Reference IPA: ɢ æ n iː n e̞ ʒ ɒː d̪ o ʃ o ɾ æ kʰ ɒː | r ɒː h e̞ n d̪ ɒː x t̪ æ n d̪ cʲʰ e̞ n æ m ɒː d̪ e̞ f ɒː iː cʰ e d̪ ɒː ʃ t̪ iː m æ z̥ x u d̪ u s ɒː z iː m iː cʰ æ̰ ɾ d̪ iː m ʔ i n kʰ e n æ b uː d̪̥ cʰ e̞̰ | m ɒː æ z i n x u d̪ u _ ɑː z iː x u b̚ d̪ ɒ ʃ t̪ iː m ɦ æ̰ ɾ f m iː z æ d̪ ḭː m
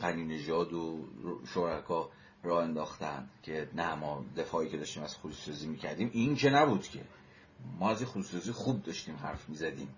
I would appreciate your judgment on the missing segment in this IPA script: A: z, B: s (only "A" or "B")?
B